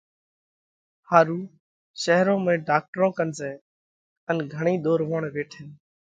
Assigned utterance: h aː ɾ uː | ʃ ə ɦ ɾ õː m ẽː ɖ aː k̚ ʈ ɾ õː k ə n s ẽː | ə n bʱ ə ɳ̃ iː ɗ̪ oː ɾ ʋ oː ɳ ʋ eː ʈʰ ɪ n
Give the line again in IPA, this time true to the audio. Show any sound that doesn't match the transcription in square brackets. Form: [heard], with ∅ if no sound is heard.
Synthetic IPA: h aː ɾ uː | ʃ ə ɦ ɾ õː m ẽː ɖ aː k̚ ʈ ɾ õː k ə n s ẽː | ə n [ɡʱ] ə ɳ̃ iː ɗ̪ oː ɾ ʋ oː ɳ ʋ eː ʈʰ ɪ n

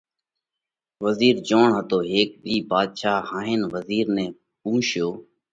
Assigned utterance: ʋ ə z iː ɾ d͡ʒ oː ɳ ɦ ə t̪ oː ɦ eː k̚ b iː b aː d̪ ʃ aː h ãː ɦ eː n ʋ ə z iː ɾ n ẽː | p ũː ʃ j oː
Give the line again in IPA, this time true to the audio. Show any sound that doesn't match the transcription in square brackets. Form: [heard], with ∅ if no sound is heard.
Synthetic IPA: ʋ ə z iː ɾ d͡ʒ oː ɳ ɦ ə t̪ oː ɦ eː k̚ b iː b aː d̪ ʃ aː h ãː ɦ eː n ʋ ə z iː ɾ n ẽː | p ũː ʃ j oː

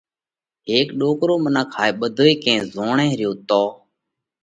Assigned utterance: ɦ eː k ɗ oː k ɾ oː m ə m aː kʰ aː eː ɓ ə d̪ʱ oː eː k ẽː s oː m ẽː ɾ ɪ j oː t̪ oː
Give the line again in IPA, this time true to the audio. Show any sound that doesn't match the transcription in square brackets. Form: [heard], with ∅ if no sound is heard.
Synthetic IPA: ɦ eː k ɗ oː k ɾ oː m ə [n] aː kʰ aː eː ɓ ə d̪ʱ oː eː k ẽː [z] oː [ɳ] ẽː ɾ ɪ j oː t̪ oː

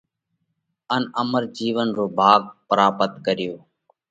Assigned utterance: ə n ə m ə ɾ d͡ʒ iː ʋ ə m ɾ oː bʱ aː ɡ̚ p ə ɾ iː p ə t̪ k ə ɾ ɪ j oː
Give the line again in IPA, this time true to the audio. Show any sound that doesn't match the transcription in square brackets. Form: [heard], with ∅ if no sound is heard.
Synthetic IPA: ə n ə m ə ɾ d͡ʒ iː ʋ ə [n] ɾ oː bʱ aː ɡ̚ p ə ɾ [aː] p ə t̪ k ə ɾ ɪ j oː

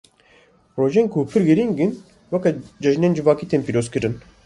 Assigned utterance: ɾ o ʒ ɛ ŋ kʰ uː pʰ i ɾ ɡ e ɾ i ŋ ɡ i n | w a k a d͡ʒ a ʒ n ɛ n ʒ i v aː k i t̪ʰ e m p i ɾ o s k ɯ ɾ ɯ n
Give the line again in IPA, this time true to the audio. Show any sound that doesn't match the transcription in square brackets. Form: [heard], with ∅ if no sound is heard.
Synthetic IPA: ɾ o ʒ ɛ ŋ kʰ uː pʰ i ɾ ɡ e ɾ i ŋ ɡ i n | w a k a d͡ʒ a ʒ n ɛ n [d͡ʒ] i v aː k i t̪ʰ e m p i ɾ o s k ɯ ɾ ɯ n

